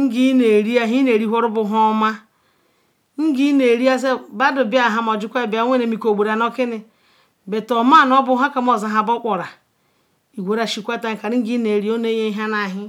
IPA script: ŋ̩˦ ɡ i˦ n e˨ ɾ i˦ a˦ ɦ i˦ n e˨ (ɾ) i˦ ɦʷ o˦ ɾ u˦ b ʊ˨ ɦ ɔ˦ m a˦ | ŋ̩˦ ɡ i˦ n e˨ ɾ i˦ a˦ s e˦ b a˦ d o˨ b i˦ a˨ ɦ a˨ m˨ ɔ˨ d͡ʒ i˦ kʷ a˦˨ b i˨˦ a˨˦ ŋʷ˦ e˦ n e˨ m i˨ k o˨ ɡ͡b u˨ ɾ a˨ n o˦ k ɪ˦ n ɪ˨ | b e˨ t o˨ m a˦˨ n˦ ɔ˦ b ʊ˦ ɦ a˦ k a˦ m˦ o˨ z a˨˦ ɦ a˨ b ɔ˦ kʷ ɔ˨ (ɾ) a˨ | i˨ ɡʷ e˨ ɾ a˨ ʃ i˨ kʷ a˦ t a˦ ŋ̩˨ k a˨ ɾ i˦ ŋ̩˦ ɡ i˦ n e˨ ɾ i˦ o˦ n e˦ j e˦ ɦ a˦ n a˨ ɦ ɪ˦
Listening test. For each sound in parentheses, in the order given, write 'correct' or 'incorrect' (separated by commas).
correct, correct